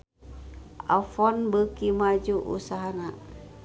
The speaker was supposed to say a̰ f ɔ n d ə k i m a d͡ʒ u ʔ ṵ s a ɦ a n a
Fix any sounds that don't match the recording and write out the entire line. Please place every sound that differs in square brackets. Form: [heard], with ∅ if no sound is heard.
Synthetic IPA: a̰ f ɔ n [b] ə k i m a d͡ʒ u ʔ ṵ s a ɦ a n a